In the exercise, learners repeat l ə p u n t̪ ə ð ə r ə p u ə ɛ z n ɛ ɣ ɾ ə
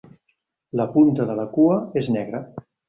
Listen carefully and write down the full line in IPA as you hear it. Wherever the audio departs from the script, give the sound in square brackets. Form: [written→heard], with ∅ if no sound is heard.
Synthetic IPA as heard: l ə p u n t̪ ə ð ə [r→l] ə [p→k] u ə [ɛ→e] z n ɛ ɣ ɾ ə